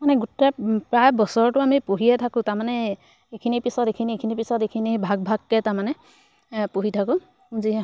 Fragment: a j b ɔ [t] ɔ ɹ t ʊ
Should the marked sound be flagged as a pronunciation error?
yes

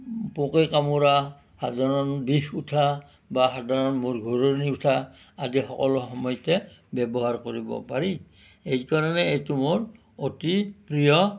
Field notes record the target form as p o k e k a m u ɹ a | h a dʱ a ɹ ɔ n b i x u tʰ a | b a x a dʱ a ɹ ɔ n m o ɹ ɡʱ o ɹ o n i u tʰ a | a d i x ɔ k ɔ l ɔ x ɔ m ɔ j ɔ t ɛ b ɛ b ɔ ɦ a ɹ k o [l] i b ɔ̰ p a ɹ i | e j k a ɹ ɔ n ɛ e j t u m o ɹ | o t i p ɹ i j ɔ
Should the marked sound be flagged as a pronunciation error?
yes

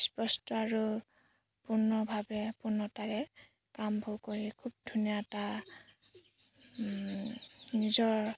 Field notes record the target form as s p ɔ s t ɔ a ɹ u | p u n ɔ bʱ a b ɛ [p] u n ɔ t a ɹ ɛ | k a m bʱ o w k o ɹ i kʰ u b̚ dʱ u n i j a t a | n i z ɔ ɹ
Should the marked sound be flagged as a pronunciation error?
no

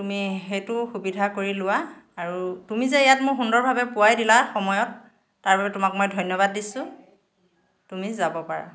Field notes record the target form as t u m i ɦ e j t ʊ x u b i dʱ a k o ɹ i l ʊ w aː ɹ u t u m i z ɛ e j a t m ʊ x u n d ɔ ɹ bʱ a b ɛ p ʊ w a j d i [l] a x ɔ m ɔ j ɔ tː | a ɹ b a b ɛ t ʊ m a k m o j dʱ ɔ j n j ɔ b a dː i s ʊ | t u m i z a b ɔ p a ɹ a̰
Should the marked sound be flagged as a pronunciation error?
no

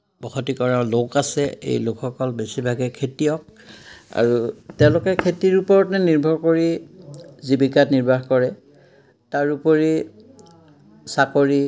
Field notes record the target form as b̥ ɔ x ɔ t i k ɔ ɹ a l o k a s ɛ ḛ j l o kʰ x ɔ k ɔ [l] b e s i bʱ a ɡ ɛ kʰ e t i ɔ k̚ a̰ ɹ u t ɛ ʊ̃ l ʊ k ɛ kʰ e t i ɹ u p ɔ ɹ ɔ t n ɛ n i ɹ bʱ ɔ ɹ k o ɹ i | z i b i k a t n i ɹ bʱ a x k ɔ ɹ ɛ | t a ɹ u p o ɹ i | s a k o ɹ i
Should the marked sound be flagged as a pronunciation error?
no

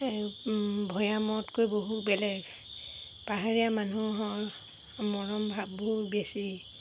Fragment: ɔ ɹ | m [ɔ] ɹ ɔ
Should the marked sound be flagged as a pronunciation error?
no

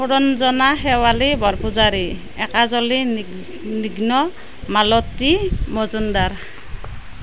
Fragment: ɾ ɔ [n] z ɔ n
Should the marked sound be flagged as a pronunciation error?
no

